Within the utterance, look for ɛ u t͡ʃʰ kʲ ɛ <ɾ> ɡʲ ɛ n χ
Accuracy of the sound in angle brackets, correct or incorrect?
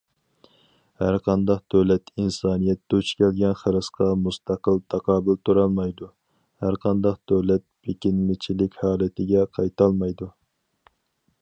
incorrect